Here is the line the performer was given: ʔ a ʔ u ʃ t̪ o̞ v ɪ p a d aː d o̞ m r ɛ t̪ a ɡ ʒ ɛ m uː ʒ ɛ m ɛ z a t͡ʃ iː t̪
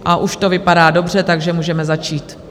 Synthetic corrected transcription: ʔ a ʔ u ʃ t̪ o̞ v ɪ p a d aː d o̞ b r ɛ t̪ a ɡ ʒ ɛ m uː ʒ ɛ m ɛ z a t͡ʃ iː t̪

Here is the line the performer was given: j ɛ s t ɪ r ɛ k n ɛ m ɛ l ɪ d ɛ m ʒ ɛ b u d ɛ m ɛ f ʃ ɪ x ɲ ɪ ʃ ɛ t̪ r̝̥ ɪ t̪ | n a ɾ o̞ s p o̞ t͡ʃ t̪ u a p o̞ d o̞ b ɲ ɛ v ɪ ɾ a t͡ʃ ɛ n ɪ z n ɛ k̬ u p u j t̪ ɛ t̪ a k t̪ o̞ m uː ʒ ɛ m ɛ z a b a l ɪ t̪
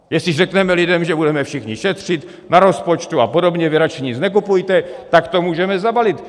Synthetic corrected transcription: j ɛ s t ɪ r ɛ k n ɛ m ɛ l ɪ d ɛ m ʒ ɛ b u d ɛ m ɛ f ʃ ɪ x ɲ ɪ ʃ ɛ t̪ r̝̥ ɪ t̪ | n a ɾ o̞ s p o̞ t͡ʃ t̪ u a p o̞ d o̞ b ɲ ɛ v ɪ ɾ a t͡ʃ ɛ ɲ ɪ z n ɛ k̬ u p u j t̪ ɛ t̪ a k t̪ o̞ m uː ʒ ɛ m ɛ z a b a l ɪ t̪

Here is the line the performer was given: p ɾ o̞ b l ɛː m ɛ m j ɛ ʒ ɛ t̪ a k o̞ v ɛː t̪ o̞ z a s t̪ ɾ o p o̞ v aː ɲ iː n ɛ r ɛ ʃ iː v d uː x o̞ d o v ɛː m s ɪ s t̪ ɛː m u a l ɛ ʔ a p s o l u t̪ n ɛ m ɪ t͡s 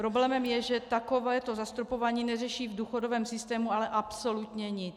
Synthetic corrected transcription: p ɾ o̞ b l ɛː m ɛ m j ɛ ʒ ɛ t̪ a k o̞ v ɛː t̪ o̞ z a s t̪ ɾ o p o̞ v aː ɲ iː n ɛ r ɛ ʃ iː v d uː x o̞ d o v ɛː m s ɪ s t̪ ɛː m u a l ɛ ʔ a p s o l u t̪ ɲ ɛ ɲ ɪ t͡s

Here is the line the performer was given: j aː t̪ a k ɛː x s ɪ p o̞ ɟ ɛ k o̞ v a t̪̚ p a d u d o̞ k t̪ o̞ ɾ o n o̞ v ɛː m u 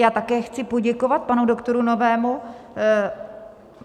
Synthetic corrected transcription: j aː t̪ a k ɛː x t͡s ɪ p o̞ ɟ ɛ k o̞ v a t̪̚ p a n u d o̞ k t̪ o̞ ɾ u n o̞ v ɛː m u

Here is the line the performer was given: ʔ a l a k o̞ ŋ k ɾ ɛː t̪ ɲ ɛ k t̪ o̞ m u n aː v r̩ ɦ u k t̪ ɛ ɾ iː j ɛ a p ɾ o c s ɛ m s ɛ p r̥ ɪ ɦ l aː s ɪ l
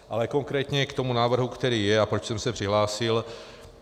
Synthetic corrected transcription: ʔ a l ɛ k o̞ ŋ k ɾ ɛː t̪ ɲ ɛ k t̪ o̞ m u n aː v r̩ ɦ u k t̪ ɛ ɾ iː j ɛ a p ɾ o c s ɛ m s ɛ p r̥ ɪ ɦ l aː s ɪ l

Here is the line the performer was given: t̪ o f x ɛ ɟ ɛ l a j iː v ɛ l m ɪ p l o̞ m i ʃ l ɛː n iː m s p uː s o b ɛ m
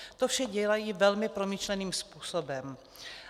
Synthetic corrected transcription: t̪ o f ʃ ɛ ɟ ɛ l a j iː v ɛ l m ɪ p ɾ o̞ m i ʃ l ɛ n iː m s p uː s o b ɛ m

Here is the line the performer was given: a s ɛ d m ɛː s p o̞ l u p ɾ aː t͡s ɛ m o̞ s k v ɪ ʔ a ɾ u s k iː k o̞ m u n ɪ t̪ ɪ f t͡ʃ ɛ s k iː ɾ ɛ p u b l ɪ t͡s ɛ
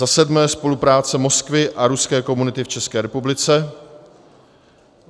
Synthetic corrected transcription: a s ɛ d m ɛː s p o̞ l u p ɾ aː t͡s ɛ m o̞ s k v ɪ ʔ a ɾ u s k ɛː k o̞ m u n ɪ t̪ ɪ f t͡ʃ ɛ s k ɛː ɾ ɛ p u b l ɪ t͡s ɛ

